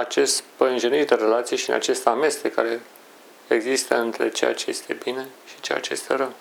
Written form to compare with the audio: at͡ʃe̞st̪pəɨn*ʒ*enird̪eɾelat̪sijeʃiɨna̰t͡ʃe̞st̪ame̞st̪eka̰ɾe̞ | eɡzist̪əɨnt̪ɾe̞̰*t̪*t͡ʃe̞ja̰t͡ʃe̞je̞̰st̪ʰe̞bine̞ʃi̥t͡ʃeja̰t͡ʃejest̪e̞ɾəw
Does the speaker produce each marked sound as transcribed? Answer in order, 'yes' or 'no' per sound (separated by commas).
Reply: yes, no